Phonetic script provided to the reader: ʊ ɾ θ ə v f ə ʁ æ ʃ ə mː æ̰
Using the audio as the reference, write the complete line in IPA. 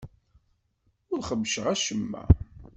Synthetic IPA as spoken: ʊ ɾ χ ə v ʃ ə ʁ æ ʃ ə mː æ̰